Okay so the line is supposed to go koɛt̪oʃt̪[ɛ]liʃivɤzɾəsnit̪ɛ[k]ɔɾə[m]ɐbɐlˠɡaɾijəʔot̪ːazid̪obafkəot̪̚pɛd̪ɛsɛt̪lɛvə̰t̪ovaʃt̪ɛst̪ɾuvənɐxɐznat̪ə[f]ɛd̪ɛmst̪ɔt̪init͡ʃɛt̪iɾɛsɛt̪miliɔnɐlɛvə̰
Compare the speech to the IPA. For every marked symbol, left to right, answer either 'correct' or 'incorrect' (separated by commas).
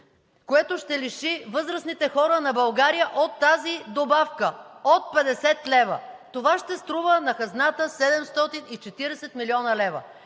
correct, incorrect, incorrect, incorrect